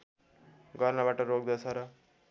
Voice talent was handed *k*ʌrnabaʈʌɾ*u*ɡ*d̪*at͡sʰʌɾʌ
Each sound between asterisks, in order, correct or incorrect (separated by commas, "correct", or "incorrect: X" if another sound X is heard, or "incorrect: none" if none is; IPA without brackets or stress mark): incorrect: ɡ, incorrect: o, correct